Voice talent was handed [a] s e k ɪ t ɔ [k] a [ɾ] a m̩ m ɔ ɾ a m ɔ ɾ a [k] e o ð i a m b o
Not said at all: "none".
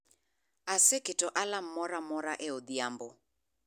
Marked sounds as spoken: a, ʔ, l, ʔ

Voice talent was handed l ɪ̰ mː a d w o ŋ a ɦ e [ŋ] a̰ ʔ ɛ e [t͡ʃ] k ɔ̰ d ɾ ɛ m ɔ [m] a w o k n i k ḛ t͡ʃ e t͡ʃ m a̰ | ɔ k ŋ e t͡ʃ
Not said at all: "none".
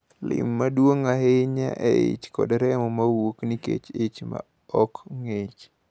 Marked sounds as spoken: ɲ, t͡ʃ, m

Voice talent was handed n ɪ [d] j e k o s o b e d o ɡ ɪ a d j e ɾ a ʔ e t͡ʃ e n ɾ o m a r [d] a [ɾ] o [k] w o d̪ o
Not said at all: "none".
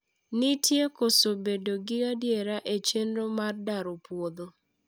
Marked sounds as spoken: t, d, ɾ, p

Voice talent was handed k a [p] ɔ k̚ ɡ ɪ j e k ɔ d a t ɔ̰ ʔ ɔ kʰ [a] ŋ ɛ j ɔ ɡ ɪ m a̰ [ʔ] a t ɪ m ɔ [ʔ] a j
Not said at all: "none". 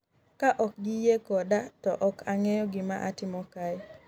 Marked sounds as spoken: ʔ, a, ʔ, k

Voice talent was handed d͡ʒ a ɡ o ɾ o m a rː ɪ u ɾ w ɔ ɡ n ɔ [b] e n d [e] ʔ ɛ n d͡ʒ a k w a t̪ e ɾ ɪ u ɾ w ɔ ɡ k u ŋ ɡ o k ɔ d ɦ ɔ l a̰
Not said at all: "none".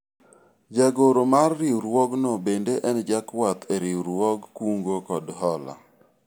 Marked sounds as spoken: b, e

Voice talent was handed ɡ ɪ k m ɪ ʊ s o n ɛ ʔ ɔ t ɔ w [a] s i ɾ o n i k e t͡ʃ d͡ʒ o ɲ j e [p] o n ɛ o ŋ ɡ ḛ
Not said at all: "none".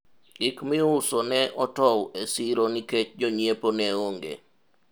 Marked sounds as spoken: e, p

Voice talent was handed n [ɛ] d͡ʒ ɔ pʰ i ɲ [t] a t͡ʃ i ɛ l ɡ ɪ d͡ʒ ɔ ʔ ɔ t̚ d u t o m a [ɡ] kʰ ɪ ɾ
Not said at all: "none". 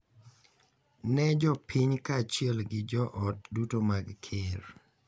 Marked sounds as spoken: ɛ, k, ɡ

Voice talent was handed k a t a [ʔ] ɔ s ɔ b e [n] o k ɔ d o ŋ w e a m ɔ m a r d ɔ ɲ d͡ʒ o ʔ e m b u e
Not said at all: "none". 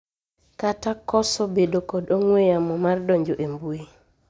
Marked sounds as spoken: k, d

